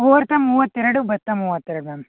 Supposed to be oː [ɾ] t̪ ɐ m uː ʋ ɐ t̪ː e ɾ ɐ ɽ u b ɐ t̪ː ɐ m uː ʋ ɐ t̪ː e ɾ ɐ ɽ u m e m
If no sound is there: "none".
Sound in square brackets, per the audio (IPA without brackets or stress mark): ɾ